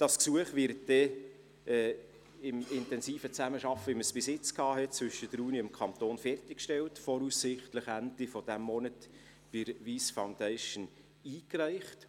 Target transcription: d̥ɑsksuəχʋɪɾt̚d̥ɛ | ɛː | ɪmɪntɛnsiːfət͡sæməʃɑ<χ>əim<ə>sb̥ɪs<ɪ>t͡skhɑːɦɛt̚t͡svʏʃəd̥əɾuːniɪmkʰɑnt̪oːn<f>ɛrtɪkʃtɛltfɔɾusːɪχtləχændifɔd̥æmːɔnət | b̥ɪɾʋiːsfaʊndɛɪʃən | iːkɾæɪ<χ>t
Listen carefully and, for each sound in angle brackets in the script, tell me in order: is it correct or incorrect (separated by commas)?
incorrect, correct, correct, correct, correct